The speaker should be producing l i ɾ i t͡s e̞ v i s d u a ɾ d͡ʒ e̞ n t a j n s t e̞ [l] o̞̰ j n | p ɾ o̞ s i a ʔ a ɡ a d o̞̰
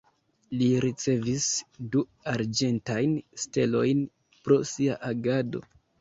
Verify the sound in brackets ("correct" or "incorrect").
correct